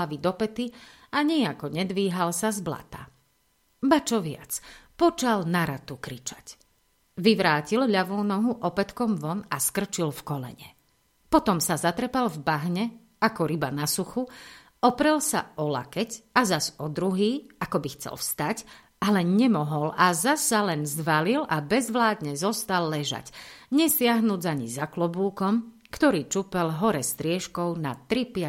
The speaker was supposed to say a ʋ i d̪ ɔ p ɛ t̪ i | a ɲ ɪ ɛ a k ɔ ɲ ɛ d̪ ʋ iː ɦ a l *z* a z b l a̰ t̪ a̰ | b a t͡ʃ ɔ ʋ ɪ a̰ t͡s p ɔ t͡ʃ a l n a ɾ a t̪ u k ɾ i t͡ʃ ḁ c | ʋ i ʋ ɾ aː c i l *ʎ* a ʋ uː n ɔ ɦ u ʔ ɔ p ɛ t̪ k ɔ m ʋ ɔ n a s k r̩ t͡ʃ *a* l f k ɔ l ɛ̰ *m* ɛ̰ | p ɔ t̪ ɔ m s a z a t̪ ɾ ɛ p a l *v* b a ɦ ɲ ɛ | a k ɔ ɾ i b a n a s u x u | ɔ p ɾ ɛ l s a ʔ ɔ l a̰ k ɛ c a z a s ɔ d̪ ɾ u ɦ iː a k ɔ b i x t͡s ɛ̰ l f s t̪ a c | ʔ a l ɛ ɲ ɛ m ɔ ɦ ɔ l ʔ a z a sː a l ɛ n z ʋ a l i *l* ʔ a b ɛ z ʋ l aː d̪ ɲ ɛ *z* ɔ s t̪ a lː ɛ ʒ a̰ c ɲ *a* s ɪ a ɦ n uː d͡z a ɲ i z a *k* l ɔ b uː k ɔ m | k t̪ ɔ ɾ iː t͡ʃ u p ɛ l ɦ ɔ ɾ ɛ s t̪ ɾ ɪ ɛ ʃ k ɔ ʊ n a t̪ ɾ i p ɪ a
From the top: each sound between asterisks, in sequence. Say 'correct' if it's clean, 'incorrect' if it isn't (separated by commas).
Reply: incorrect, correct, incorrect, incorrect, correct, correct, correct, incorrect, correct